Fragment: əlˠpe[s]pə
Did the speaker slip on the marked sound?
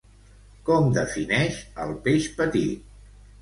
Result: yes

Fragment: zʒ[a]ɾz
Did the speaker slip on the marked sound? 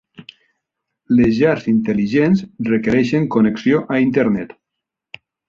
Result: no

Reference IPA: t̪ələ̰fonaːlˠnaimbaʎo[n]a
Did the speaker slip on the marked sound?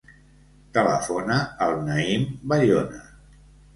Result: no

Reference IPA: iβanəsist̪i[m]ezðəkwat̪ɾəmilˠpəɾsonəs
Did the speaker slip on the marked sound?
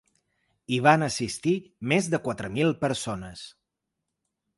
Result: no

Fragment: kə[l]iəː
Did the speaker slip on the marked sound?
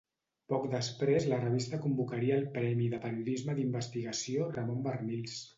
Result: yes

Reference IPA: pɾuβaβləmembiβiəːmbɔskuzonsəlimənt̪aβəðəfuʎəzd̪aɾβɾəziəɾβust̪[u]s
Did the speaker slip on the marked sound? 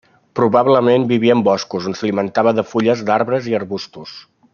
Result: no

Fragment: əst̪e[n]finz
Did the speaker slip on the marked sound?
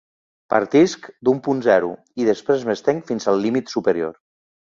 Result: yes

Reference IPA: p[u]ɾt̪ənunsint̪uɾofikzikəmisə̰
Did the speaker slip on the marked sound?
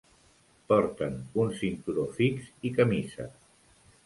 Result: yes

